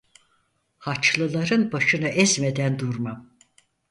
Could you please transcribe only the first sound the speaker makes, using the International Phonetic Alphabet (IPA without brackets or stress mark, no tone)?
h